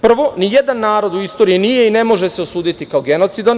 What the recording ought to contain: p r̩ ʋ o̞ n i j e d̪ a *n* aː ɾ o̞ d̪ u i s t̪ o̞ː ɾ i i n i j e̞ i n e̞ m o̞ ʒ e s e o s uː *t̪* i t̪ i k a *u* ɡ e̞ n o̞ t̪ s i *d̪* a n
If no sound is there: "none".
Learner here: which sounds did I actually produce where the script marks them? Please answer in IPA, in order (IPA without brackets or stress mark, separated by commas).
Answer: nː, d̪, o, d̪